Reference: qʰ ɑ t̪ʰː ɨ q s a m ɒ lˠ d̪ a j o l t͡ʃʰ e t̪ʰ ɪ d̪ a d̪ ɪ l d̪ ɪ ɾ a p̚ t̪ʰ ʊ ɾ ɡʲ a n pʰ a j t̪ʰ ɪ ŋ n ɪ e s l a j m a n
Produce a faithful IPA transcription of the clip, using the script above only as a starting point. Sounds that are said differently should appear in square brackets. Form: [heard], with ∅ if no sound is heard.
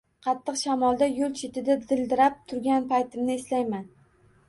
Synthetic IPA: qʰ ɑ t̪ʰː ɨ q [ʃ] a m ɒ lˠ d̪ a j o l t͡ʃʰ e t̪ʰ ɪ d̪ a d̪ ɪ l d̪ ɪ ɾ a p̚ t̪ʰ ʊ ɾ ɡʲ a n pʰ a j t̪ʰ ɪ [m] n ɪ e s l a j m a n